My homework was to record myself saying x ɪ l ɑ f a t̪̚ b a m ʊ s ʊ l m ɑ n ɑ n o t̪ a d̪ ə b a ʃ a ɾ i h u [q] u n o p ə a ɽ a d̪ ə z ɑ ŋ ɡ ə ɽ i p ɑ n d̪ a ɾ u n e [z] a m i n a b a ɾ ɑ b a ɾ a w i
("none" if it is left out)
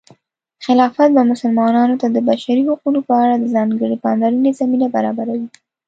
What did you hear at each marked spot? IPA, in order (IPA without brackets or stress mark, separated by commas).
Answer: q, z